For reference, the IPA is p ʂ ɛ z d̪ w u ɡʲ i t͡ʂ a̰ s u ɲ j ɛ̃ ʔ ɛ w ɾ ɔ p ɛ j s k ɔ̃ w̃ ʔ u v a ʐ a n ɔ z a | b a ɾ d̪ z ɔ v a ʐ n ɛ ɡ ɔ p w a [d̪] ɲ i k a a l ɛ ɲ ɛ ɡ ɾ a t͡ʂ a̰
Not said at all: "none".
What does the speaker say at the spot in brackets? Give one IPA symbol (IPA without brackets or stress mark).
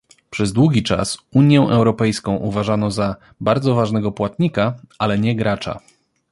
t̪